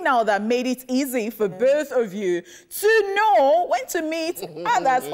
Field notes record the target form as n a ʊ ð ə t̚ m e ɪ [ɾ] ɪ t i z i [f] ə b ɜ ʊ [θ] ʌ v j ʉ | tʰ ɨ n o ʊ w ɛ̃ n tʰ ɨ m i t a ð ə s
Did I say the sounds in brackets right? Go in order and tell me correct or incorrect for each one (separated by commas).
correct, correct, correct